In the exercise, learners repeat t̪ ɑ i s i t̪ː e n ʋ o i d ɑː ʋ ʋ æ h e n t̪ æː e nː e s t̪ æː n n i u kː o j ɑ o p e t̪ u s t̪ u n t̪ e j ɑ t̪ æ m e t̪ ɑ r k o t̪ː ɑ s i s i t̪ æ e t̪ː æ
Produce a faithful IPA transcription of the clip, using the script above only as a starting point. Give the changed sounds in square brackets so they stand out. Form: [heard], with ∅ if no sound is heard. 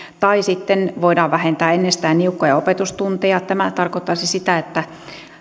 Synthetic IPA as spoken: t̪ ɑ i s i t̪ː e n ʋ o i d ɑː ʋ ʋ æ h e n t̪ æː e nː e s t̪ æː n n i u kː o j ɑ o p e t̪ u s t̪ u n t̪ e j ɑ t̪ æ m [æ] t̪ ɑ r k o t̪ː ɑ s i s i t̪ æ e t̪ː æ